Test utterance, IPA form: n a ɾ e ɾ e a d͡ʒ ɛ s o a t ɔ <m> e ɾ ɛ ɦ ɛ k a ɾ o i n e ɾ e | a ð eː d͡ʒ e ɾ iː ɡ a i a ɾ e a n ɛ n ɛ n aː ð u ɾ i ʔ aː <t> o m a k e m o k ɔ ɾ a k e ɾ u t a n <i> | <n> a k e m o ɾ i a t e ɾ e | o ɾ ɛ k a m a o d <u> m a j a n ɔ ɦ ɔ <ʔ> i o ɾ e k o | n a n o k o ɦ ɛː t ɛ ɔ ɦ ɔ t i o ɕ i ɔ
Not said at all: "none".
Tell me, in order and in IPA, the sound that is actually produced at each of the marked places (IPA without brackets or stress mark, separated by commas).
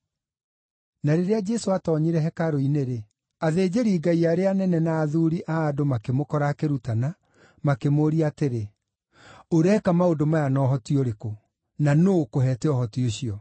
ɲ, d, a, m, o, t